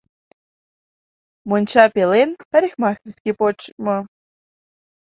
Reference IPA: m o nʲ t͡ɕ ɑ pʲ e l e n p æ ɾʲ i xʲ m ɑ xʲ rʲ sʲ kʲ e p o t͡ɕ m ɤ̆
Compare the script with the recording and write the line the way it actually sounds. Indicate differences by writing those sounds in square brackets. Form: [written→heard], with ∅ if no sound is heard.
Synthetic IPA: m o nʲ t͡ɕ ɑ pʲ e l e n p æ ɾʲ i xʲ m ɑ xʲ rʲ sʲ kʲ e p o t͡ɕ m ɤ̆

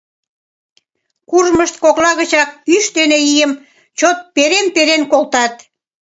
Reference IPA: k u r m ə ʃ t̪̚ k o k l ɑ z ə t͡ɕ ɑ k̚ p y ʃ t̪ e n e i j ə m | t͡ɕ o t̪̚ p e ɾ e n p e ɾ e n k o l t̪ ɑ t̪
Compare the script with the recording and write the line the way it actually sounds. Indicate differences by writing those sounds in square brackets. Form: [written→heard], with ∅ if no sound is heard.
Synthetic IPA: k u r m ə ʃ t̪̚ k o k l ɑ [z→ɣ] ə t͡ɕ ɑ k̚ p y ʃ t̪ e n e i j ə m | t͡ɕ o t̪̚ p e ɾ e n p e ɾ e n k o l t̪ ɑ t̪

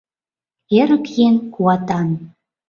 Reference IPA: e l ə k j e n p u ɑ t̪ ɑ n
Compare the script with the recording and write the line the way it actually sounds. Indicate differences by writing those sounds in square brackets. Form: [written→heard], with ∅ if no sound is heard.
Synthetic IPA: e [l→ɾ] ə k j e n [p→k] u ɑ t̪ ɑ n

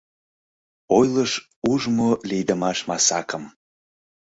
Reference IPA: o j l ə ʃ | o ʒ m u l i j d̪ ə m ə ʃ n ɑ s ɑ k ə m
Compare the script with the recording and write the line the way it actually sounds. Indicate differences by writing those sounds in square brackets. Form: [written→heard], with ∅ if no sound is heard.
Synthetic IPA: o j l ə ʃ | [o→u] ʒ m [u→o] l i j d̪ ə m [ə→ɑ] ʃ [n→m] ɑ s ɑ k ə m

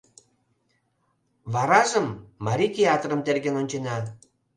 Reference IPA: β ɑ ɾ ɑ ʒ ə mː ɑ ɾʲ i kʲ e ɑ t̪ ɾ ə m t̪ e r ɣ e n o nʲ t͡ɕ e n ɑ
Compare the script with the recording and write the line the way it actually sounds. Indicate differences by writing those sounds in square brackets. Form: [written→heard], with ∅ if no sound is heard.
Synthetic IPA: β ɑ ɾ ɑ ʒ ə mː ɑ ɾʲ i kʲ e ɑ t̪ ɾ ə m t̪ e r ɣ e n o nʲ t͡ɕ e n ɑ

